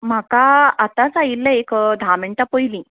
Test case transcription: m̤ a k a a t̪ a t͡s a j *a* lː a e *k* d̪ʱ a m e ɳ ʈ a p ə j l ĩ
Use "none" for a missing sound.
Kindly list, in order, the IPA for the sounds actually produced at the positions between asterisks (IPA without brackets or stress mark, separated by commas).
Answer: i, k